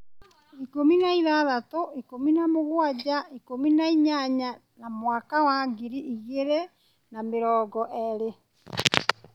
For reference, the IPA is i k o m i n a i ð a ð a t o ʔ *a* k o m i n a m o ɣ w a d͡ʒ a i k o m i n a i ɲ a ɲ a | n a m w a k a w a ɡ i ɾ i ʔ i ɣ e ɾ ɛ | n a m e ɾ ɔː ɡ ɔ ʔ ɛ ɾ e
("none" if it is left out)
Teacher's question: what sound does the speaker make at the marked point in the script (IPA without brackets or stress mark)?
i